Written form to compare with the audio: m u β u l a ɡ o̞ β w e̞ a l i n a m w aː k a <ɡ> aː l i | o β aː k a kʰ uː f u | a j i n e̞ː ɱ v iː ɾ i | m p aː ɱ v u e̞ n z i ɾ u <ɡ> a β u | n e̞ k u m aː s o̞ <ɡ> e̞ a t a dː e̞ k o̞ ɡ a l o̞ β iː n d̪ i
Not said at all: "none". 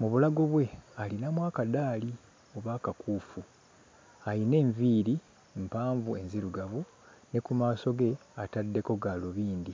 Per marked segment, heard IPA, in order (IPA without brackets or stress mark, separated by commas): d, ɡ, ɡ